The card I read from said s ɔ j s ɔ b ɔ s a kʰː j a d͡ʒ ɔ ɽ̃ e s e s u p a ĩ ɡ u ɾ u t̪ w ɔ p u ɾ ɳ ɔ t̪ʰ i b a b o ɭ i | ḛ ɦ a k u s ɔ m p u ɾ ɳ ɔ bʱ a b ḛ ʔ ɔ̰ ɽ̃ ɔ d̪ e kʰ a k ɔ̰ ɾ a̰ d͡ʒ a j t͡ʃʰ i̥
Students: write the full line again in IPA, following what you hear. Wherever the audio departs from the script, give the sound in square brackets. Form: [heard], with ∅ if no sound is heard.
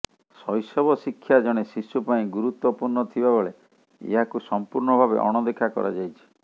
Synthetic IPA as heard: s ɔ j s ɔ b ɔ s [i] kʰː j a d͡ʒ ɔ ɽ̃ e s [i] s u p a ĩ ɡ u ɾ u t̪ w ɔ p u ɾ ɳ ɔ t̪ʰ i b a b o ɭ [e] | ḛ ɦ a k u s ɔ m p u ɾ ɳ ɔ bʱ a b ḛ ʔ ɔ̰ ɽ̃ ɔ d̪ e kʰ a k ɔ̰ ɾ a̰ d͡ʒ a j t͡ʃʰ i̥